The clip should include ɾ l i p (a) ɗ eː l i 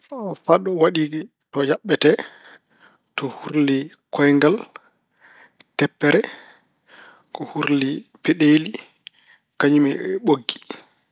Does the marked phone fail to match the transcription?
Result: yes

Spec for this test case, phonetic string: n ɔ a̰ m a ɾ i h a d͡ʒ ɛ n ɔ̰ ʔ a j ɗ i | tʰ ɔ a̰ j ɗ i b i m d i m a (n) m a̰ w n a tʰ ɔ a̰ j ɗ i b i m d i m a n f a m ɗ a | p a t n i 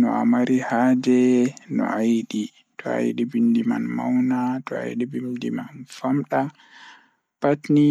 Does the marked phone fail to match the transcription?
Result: no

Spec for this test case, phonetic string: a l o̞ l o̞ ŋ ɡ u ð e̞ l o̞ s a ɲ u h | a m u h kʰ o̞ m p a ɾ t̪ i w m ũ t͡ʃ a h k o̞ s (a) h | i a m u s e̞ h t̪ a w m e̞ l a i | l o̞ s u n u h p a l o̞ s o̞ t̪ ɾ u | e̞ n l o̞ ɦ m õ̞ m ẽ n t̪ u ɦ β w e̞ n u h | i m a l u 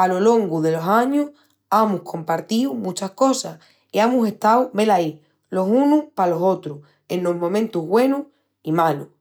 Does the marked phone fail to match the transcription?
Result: no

